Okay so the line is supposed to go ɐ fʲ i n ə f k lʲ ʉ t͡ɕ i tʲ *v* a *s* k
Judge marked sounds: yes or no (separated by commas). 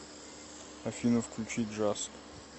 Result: no, yes